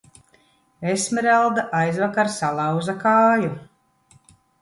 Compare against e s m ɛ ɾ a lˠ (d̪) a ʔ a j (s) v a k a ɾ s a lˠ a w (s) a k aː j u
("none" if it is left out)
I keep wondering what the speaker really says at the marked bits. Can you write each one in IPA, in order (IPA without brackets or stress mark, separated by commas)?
d̪, z, z